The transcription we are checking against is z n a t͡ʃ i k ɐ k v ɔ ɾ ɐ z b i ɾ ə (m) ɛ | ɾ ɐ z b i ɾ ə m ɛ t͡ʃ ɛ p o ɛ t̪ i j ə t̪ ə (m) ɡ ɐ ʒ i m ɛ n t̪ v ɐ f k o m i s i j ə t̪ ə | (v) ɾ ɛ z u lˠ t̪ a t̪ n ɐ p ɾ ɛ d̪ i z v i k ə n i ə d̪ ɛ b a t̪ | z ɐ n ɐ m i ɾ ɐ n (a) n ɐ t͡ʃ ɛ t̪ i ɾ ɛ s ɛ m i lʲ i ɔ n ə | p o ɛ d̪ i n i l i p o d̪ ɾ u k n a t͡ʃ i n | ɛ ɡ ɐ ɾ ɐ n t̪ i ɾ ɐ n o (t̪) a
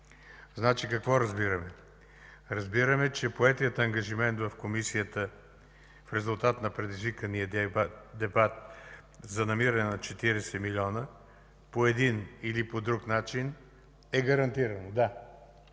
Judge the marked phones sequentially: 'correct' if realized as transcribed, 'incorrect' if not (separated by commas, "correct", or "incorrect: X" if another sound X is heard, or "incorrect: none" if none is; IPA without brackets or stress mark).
correct, incorrect: ŋ, incorrect: f, incorrect: ɛ, incorrect: d̪